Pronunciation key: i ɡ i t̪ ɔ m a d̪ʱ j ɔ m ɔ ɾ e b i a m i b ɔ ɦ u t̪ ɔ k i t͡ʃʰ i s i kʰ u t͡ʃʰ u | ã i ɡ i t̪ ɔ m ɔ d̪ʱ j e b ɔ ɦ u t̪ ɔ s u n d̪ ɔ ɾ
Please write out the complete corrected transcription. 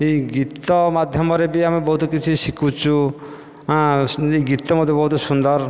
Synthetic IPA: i ɡ i t̪ ɔ m a d̪ʱ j ɔ m ɔ ɾ e b i a m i b ɔ ɦ u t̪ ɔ k i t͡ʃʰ i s i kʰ u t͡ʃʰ u | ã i ɡ i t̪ ɔ m ɔ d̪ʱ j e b ɔ ɦ u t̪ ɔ s u n d̪ ɔ ɾ